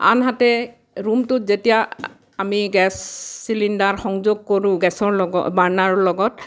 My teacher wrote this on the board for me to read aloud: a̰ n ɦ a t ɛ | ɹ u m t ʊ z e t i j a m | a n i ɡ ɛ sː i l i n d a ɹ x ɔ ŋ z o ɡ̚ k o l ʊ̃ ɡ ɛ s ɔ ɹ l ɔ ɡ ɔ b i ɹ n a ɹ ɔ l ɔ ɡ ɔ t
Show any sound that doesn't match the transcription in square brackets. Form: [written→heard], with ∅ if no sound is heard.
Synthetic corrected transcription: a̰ n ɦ a t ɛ | ɹ u m t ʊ z e t i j a [m→∅] | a [n→m] i ɡ ɛ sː i l i n d a ɹ x ɔ ŋ z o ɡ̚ k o [l→ɹ] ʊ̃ ɡ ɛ s ɔ ɹ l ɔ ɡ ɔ b [i→a] ɹ n a ɹ ɔ l ɔ ɡ ɔ t